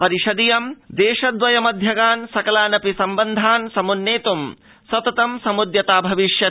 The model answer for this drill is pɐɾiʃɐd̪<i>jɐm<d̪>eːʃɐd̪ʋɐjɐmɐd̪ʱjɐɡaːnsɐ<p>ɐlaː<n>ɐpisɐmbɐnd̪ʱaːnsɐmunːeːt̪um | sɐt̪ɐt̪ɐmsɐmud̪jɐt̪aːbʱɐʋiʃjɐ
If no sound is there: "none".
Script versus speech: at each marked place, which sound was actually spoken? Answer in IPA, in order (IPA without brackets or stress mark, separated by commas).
i, d̪, k, n